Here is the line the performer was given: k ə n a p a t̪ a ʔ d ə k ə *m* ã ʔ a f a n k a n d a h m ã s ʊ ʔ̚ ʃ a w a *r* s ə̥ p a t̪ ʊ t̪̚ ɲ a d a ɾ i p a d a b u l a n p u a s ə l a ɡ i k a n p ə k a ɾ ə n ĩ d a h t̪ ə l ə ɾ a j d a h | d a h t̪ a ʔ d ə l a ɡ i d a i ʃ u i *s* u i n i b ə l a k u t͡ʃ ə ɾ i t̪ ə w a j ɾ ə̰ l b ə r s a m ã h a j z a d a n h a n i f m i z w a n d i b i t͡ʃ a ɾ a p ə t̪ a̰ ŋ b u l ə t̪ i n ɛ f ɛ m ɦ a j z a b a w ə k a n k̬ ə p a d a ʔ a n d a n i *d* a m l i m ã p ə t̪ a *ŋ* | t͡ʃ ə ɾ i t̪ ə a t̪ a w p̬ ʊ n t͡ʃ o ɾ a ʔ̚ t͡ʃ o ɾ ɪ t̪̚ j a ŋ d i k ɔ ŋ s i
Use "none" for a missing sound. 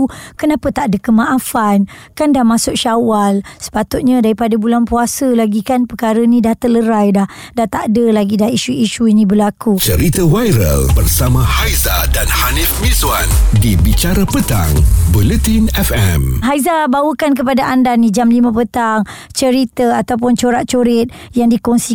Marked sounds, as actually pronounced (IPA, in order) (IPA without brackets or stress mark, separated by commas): m, l, ʃ, d͡ʒ, ŋ